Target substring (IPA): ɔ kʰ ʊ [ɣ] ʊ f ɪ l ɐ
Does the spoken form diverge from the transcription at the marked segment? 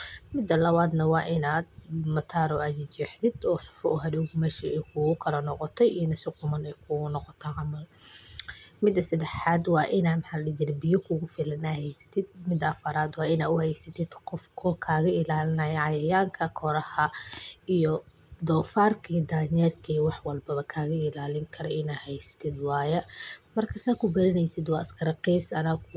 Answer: no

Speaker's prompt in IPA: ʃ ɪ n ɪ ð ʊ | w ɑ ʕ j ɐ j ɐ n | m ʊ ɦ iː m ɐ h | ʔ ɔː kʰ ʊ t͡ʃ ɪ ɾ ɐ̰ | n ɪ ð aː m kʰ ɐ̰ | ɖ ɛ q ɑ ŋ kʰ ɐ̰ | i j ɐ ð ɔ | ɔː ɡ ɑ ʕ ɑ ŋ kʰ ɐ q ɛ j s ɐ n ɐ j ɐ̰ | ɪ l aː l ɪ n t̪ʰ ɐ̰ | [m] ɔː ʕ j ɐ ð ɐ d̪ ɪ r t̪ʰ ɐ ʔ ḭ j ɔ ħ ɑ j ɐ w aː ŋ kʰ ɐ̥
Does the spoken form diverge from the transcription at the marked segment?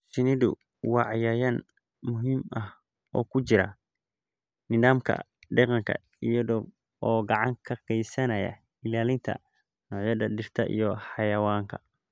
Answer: yes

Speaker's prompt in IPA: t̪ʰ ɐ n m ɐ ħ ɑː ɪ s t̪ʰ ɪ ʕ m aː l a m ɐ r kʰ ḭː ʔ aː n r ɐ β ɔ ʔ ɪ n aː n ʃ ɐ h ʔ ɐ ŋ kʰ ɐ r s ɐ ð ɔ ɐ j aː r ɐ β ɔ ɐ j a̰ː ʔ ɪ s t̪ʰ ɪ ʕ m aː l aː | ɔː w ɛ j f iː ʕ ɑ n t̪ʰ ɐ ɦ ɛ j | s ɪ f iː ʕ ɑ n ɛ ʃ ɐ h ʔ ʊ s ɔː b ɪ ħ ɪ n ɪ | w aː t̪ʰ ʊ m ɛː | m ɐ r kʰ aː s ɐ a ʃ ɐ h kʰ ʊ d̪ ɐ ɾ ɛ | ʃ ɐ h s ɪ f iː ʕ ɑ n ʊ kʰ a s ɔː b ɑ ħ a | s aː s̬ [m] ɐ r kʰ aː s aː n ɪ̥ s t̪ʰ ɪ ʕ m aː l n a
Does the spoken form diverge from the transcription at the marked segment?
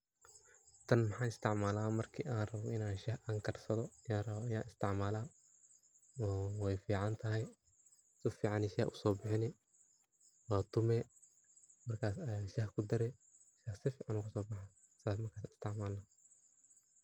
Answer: no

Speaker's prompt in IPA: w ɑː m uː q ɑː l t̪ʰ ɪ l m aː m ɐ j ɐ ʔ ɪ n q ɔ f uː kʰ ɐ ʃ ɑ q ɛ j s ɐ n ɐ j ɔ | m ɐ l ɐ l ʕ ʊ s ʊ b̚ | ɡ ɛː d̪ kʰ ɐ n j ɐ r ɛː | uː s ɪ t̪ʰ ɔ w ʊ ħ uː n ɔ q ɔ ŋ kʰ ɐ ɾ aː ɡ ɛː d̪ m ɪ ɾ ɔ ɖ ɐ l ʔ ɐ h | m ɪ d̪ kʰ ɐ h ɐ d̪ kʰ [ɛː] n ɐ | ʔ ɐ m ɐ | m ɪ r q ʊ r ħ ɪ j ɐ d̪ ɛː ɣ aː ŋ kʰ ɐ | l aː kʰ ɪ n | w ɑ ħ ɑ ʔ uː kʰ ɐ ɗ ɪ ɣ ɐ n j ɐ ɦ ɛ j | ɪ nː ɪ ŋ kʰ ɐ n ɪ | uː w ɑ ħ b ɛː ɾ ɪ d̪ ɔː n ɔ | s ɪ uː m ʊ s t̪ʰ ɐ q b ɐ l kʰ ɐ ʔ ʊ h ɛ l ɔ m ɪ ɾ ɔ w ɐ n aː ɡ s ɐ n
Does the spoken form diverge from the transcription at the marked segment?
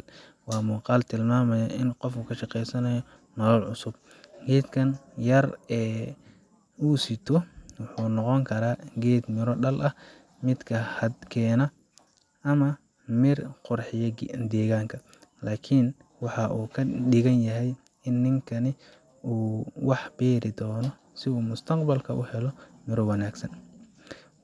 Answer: no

